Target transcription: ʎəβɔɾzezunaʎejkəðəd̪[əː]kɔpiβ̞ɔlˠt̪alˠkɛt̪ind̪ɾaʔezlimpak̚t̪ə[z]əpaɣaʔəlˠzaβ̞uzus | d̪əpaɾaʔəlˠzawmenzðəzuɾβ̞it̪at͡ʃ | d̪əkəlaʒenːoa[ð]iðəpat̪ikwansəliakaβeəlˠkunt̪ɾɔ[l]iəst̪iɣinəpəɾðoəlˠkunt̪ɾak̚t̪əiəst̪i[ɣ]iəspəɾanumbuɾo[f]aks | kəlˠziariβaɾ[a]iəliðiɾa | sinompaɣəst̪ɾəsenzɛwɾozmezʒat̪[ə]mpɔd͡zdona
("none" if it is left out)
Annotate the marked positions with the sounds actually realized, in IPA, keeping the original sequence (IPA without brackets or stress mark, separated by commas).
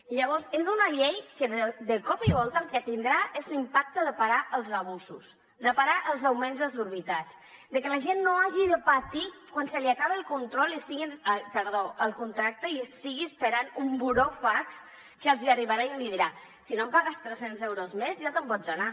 ə, ð, ʒ, l, ɣ, f, a, ə